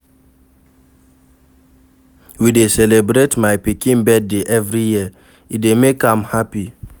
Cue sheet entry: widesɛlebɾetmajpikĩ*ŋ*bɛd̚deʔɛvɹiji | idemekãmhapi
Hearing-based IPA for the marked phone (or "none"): n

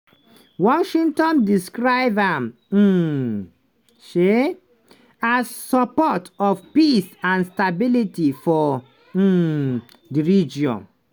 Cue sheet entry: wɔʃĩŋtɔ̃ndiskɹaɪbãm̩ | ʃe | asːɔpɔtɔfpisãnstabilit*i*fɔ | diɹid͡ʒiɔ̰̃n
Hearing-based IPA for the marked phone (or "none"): i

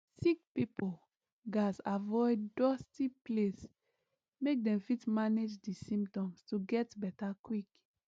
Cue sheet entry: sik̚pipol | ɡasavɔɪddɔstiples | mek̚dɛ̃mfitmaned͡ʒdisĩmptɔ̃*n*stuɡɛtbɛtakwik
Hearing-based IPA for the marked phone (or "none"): m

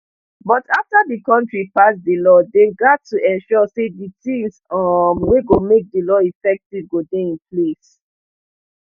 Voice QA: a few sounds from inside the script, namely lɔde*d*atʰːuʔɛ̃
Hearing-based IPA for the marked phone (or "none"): ɡ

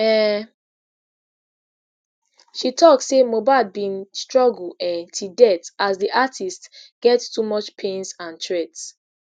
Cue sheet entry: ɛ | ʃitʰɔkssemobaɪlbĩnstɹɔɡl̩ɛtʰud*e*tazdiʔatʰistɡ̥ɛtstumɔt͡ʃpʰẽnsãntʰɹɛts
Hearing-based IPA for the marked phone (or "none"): ɛ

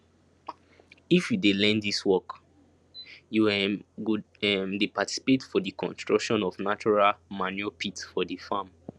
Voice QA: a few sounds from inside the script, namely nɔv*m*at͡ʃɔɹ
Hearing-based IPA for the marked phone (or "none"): n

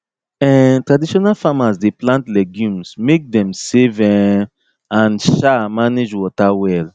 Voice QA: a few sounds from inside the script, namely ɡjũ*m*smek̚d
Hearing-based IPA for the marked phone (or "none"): m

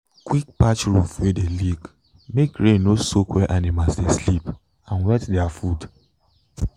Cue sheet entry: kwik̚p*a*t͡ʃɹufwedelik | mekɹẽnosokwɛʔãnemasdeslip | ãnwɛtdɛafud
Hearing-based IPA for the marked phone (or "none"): a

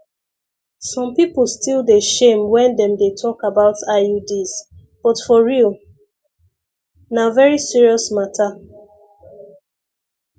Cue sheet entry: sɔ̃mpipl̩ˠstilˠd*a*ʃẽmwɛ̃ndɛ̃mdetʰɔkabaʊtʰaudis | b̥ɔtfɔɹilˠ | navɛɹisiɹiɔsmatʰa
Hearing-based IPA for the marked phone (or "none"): e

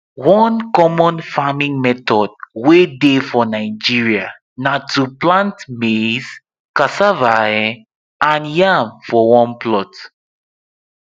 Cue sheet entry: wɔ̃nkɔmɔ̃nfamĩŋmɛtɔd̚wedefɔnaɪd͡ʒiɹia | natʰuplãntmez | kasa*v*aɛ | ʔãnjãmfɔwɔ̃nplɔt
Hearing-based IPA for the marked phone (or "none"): v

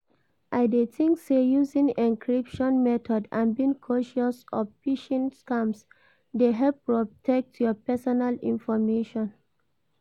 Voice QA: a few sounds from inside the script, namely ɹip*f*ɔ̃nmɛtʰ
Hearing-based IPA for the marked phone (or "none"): ʃ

